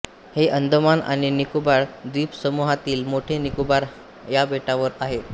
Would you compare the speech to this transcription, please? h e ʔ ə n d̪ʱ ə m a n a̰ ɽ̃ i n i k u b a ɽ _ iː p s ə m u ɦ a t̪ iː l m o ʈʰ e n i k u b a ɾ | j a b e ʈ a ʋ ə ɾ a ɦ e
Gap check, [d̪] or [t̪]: d̪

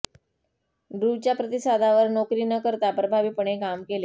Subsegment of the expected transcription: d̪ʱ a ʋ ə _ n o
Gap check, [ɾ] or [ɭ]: ɾ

